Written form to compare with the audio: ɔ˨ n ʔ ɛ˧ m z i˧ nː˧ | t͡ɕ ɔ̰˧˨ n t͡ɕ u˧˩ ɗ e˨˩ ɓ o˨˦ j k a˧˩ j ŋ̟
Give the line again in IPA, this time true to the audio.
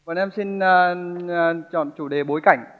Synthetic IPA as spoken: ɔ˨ n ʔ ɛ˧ m s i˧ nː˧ | t͡ɕ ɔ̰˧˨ n t͡ɕ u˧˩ ɗ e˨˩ ɓ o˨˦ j k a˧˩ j ŋ̟